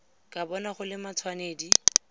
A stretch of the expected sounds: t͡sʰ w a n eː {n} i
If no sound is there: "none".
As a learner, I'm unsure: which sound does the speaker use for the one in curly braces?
d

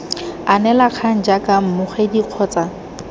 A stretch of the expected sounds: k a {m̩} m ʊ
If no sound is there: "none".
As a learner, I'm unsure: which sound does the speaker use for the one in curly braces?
m̩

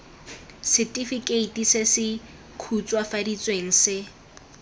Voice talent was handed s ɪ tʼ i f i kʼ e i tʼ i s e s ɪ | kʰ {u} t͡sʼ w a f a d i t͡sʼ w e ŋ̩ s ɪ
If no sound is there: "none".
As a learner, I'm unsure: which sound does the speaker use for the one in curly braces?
u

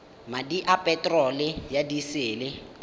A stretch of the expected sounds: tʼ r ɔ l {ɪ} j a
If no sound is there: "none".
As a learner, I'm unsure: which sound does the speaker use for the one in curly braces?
ɪ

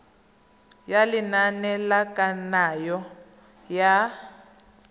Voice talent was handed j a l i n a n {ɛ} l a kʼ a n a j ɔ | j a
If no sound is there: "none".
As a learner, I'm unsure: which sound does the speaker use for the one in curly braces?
ɛ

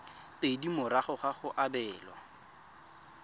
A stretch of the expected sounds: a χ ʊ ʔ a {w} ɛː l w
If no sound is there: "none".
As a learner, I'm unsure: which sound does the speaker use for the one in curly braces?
b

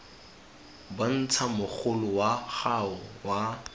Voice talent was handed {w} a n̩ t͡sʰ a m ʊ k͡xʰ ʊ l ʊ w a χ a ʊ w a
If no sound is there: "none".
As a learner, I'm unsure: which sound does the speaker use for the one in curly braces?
b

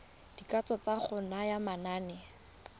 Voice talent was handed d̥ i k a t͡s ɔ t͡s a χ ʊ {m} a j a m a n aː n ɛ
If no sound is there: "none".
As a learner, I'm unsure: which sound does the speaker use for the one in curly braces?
n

